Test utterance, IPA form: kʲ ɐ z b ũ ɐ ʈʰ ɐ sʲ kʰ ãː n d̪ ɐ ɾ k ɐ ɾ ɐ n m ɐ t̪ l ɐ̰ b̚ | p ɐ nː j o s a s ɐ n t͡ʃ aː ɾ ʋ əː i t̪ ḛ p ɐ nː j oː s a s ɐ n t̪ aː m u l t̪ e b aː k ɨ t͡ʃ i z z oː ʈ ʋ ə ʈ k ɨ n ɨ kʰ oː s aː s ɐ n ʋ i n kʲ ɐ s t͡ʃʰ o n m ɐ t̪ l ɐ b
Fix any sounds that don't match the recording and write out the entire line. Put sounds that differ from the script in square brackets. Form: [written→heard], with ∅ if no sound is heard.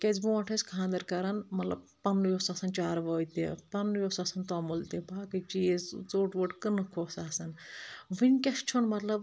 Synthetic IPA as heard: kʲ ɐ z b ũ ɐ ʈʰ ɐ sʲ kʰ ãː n d̪ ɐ ɾ k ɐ ɾ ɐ n m ɐ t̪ l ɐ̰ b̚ | p ɐ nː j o s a s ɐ n t͡ʃ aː ɾ ʋ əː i t̪ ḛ p ɐ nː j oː s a s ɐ n t̪ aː m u l t̪ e b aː k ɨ t͡ʃ i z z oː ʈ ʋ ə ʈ k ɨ n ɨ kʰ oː s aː s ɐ n ʋ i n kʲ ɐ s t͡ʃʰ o n m ɐ t̪ l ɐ b

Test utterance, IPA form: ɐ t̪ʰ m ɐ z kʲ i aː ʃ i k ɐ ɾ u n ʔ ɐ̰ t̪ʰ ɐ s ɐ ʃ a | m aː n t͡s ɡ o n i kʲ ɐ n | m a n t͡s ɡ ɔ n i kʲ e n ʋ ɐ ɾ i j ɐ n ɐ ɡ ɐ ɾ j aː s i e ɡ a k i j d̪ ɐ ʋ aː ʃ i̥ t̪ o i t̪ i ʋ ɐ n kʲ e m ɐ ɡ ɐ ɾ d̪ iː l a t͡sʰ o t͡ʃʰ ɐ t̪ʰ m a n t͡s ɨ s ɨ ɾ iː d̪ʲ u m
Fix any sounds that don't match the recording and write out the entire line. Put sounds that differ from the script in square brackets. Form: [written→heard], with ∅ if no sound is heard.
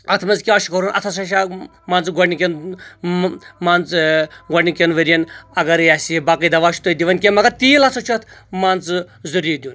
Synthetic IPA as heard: ɐ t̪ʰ m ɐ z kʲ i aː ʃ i k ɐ ɾ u n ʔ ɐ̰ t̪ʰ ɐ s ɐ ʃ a | m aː n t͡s ɡ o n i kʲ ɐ n | m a n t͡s ɡ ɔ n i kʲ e n ʋ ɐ ɾ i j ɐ n ɐ ɡ ɐ ɾ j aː s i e [ɡ→b] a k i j d̪ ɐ ʋ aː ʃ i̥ t̪ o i [t̪→d̪] i ʋ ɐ n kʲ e m ɐ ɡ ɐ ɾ [d̪→t̪] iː l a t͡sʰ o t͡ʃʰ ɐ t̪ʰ m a n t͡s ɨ [s→z] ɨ ɾ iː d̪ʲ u [m→n]

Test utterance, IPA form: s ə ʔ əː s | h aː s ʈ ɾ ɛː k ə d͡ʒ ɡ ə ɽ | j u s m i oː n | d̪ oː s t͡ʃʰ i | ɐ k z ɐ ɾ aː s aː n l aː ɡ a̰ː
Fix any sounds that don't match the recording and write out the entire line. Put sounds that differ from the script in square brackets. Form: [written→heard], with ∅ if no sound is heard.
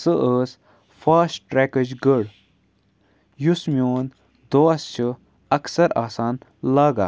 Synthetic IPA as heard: s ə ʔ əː s | [h→f] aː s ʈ ɾ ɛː k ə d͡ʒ ɡ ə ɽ | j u s m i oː n | d̪ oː s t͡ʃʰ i | ɐ k [z→s] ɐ ɾ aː s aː n l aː ɡ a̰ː

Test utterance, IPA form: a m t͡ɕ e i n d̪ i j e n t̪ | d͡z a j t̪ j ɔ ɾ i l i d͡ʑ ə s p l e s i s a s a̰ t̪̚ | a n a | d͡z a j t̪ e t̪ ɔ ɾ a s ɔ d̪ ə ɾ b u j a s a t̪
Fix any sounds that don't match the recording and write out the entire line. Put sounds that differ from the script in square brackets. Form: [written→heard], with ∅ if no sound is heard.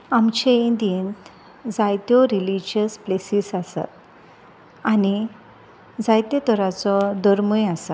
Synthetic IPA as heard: a m t͡ɕ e i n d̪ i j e n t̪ | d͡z a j t̪ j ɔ ɾ i l i d͡ʑ ə s p l e s i s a s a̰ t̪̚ | a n [a→i] | d͡z a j t̪ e t̪ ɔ ɾ a [s→t͡s] ɔ d̪ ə ɾ [b→m] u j a s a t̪

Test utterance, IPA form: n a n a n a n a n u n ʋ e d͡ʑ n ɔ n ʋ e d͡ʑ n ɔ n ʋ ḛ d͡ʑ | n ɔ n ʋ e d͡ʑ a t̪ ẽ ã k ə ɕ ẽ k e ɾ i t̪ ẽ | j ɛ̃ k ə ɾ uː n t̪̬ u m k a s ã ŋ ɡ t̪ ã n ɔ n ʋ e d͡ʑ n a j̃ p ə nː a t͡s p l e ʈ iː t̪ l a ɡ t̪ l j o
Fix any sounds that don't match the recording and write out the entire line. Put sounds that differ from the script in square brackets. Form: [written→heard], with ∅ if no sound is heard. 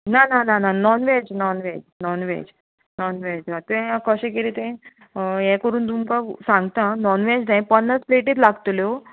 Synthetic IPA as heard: n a n a n a n a n [u→ɔ] n ʋ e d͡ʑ n ɔ n ʋ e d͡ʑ n ɔ n ʋ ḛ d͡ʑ | n ɔ n ʋ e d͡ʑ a t̪ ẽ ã k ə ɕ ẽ k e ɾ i t̪ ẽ | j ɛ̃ k ə ɾ uː n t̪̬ u m k a s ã ŋ ɡ t̪ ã n ɔ n ʋ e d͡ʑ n a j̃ p ə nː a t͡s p l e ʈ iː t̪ l a ɡ t̪ l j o

